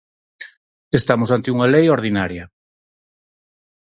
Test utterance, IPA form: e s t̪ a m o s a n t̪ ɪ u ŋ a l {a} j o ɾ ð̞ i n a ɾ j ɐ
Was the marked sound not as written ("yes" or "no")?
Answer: yes